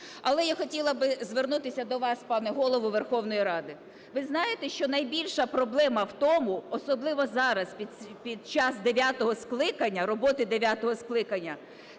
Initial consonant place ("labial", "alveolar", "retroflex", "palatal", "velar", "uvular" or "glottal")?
alveolar